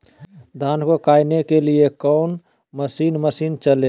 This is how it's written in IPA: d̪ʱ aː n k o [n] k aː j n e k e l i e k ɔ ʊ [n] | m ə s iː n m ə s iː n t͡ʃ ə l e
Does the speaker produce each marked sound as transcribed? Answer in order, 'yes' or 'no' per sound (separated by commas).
no, yes